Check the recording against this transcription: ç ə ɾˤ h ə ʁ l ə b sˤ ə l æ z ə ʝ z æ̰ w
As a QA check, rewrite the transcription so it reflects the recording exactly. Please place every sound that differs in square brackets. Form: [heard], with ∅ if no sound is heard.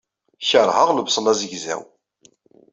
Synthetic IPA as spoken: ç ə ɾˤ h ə ʁ l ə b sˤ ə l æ z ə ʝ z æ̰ w